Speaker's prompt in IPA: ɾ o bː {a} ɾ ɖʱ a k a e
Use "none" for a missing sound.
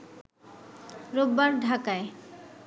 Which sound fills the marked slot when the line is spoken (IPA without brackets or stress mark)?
a